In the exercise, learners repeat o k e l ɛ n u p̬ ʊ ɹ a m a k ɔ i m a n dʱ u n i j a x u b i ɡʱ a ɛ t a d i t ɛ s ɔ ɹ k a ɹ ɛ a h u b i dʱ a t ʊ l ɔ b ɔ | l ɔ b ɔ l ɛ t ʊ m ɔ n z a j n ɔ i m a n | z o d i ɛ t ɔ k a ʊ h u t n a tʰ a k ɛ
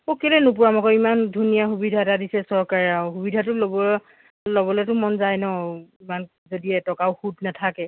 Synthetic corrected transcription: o k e l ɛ n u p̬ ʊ ɹ a m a k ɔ i m a n dʱ u n i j a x u b i dʱ a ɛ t a d i s ɛ s ɔ ɹ k a ɹ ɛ a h u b i dʱ a t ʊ l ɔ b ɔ | l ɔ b ɔ l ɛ t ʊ m ɔ n z a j n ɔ i m a n | z o d i ɛ t ɔ k a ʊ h u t n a tʰ a k ɛ